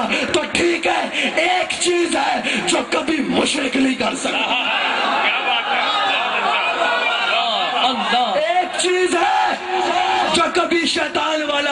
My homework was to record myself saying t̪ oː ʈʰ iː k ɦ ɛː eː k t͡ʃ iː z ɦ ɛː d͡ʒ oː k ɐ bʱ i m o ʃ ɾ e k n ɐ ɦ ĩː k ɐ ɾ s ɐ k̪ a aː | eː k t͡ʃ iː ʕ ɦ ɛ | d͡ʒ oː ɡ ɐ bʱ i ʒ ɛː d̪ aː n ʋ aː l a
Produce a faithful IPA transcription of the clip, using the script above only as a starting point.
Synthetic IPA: t̪ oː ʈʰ iː k ɦ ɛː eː k t͡ʃ iː z ɦ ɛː d͡ʒ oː k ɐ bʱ i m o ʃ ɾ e k n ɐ ɦ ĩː k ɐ ɾ s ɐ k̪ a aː | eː k t͡ʃ iː z ɦ ɛ | d͡ʒ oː k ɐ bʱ i ʃ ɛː t̪ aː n ʋ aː l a